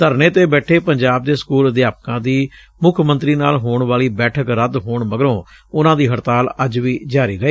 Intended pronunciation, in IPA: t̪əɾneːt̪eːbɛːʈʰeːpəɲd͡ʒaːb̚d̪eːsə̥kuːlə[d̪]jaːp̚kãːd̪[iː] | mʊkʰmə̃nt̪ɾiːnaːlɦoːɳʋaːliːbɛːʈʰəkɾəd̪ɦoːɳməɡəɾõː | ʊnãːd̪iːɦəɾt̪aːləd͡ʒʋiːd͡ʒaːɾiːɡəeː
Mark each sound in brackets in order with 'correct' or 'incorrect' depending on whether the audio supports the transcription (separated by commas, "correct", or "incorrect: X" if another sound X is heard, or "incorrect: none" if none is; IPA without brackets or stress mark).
correct, correct